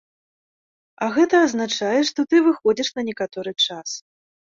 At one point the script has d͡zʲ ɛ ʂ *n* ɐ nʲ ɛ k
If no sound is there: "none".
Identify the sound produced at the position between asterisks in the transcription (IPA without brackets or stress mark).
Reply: n